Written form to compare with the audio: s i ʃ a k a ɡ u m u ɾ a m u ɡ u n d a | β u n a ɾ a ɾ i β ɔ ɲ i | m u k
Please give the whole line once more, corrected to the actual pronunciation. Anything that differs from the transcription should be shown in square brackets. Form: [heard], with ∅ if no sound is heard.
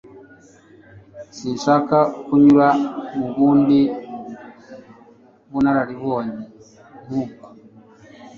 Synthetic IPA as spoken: s i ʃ a k a [k] u [ɲ] u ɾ a m u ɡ u n d [i] | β u n a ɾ a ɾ i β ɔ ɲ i | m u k